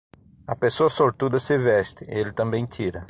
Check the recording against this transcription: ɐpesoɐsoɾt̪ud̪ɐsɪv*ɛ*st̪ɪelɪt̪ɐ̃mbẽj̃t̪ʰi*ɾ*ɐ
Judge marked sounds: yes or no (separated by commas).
yes, yes